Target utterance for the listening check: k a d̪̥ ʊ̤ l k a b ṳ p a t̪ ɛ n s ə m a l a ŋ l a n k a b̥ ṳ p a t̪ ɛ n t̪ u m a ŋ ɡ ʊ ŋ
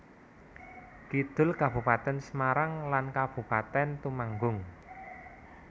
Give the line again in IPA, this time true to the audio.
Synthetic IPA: k i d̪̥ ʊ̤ l k a b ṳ p a t̪ ɛ n s ə m a ɾ a ŋ l a n k a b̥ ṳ p a t̪ ɛ n t̪ u m a ŋ ɡ ʊ ŋ